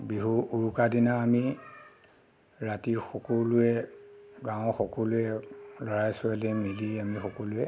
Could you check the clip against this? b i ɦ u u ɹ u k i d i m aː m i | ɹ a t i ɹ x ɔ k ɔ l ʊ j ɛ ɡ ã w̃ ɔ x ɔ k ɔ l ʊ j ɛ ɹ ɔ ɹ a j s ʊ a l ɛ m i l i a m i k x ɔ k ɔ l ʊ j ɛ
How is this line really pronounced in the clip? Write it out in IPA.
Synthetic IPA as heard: b i ɦ u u ɹ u k a d i n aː m i | ɹ a t i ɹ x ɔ k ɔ l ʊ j ɛ ɡ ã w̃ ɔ x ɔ k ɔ l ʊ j ɛ l ɔ ɹ a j s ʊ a l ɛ m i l i a m i x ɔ k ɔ l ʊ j ɛ